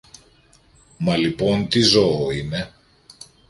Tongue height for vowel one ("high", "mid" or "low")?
low